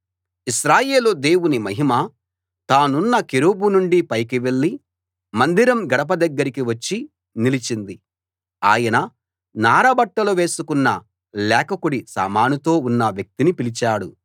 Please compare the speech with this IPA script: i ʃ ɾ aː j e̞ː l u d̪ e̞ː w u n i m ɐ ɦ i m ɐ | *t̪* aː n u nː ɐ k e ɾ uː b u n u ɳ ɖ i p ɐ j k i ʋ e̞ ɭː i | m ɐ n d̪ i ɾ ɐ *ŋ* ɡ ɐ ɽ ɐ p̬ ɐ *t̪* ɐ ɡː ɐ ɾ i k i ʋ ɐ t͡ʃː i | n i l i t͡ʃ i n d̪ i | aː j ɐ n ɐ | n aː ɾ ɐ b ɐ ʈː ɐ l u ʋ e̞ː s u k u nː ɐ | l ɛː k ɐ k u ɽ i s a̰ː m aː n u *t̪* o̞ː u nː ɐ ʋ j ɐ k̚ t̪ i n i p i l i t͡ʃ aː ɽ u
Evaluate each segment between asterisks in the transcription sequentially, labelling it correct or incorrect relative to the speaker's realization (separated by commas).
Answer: correct, incorrect, incorrect, correct